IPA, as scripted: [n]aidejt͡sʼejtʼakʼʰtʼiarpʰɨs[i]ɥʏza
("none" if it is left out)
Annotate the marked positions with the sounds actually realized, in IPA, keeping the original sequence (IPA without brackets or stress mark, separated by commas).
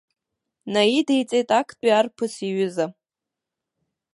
n, i